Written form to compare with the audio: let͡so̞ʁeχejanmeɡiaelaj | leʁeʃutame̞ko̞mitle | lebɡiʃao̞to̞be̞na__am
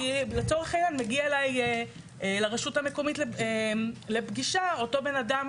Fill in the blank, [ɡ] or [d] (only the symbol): d